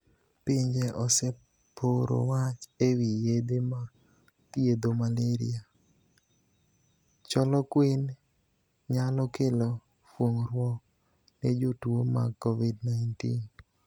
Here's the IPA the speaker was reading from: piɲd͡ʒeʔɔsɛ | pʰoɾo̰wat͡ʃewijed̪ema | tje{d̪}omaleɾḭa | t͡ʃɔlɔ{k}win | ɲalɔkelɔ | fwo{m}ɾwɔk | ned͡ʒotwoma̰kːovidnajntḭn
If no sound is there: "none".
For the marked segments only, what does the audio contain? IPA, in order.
d̪, k, ŋ

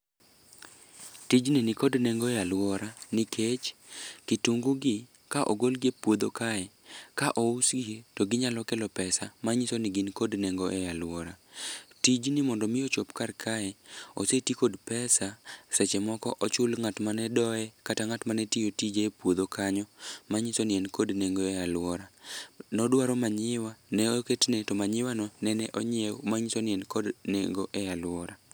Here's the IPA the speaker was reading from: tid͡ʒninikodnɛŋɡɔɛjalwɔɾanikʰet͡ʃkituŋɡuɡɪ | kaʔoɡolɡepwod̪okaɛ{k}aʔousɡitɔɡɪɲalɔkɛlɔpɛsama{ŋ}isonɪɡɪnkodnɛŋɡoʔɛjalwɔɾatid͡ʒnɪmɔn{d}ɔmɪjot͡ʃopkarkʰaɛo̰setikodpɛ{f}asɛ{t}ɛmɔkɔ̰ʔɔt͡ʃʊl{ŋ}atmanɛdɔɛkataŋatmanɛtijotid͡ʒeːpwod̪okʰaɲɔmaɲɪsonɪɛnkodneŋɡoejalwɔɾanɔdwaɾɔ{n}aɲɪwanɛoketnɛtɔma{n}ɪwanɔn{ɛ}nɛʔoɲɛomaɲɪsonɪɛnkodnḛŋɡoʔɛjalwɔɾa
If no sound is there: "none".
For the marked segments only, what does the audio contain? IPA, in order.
k, ɲ, d, s, t͡ʃ, ŋ, m, ɲ, ɛ

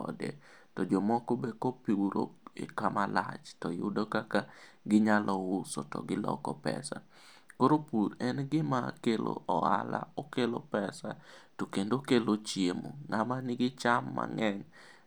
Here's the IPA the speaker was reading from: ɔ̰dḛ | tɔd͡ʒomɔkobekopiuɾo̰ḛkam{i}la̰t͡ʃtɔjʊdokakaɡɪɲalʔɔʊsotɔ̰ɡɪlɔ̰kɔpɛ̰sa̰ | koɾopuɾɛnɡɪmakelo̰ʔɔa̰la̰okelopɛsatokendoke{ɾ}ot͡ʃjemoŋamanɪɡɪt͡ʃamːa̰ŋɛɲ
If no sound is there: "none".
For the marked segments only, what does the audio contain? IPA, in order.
a, l

